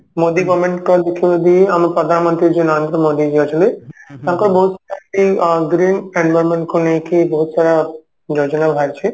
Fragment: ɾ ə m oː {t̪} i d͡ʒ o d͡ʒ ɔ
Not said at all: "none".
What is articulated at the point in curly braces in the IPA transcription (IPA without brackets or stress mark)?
d̪